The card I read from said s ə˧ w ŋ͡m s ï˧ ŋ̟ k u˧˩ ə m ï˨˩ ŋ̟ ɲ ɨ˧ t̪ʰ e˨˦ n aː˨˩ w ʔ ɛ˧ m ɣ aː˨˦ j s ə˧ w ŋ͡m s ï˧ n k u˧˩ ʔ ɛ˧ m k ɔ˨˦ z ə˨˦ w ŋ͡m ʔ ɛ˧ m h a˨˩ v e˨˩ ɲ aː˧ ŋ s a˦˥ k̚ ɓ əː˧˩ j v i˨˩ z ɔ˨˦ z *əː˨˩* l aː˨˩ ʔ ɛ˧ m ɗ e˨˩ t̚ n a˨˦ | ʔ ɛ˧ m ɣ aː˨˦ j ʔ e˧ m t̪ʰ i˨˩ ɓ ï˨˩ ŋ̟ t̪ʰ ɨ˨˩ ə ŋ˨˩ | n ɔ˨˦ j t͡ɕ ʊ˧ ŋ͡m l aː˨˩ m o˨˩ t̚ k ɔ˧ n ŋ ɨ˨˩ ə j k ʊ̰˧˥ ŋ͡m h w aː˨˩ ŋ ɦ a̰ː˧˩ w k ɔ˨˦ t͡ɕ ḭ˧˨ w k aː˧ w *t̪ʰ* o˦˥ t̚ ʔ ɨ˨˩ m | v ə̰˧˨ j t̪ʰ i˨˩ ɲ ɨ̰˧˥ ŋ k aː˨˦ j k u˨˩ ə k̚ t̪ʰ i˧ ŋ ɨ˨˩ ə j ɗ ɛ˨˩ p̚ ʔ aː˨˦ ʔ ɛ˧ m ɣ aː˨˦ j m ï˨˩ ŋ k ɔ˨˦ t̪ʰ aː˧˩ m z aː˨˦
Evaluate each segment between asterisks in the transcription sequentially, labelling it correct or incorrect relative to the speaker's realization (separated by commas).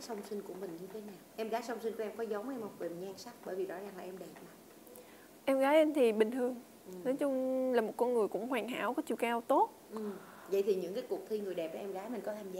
incorrect, incorrect